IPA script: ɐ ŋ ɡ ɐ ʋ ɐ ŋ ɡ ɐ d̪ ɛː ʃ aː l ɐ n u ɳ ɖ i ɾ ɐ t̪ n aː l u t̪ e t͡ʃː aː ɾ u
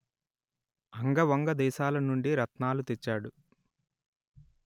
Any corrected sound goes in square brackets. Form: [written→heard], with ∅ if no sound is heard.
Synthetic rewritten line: ɐ ŋ ɡ ɐ ʋ ɐ ŋ ɡ ɐ d̪ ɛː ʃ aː l ɐ n u ɳ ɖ i ɾ ɐ t̪ n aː l u t̪ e t͡ʃː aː [ɾ→ɽ] u